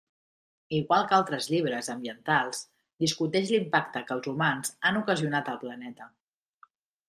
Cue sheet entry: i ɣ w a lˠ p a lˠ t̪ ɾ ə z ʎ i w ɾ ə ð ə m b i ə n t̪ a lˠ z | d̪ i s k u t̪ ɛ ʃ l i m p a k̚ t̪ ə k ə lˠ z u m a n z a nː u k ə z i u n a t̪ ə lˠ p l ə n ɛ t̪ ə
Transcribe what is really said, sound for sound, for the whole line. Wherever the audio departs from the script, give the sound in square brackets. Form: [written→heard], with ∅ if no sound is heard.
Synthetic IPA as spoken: i ɣ w a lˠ [p→k] a lˠ t̪ ɾ ə z ʎ i [w→β] ɾ ə [ð→z] ə m b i ə n t̪ a lˠ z | d̪ i s k u t̪ ɛ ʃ l i m p a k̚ t̪ ə k ə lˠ z u m a n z a [nː→n] u k ə z i u n a t̪ ə lˠ p l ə n ɛ t̪ ə